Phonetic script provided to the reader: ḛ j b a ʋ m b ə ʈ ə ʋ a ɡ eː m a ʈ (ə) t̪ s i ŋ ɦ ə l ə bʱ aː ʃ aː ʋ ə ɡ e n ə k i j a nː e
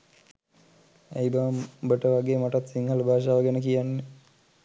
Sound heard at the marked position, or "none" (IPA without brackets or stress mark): a